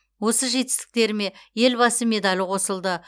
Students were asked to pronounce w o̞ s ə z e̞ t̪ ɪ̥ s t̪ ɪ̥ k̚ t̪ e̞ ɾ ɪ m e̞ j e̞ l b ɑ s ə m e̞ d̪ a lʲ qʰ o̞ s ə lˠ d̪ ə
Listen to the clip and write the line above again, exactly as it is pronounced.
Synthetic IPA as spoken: w o̞ s ə ʒ e̞ t̪ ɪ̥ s t̪ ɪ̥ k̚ t̪ e̞ ɾ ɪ m e̞ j e̞ l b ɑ s ə m e̞ d̪ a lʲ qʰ o̞ s ə lˠ d̪ ə